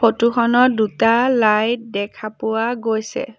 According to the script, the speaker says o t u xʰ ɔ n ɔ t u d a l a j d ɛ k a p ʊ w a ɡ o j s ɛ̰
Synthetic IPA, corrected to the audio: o t u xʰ ɔ n ɔ d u t a l a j d ɛ kʰ a p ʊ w a ɡ o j s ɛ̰